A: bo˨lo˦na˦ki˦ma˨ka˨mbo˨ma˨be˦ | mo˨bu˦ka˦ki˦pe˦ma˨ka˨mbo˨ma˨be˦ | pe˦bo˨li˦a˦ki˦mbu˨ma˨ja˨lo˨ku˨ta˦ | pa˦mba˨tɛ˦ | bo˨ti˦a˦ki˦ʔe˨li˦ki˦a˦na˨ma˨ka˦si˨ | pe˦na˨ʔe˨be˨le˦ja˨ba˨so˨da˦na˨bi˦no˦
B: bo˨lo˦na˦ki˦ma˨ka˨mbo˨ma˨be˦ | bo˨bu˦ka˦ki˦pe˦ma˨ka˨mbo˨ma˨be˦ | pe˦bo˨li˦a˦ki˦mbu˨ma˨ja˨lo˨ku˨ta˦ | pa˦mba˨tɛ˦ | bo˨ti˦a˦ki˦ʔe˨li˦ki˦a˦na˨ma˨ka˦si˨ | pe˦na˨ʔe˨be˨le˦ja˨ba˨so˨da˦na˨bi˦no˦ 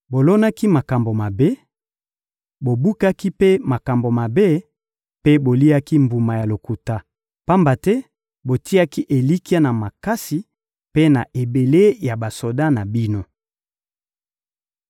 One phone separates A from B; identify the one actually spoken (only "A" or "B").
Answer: B